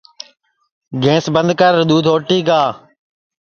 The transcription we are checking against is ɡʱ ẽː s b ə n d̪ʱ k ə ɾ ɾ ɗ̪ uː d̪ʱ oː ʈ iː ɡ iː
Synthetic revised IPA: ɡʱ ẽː s b ə n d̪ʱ k ə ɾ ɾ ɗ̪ uː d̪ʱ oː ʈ iː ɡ aː